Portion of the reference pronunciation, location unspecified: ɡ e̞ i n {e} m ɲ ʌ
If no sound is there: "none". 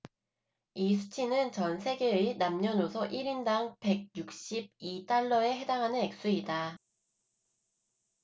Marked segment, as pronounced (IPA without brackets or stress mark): a